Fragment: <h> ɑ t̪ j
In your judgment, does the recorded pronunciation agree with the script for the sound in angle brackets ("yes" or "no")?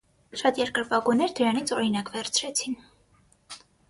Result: no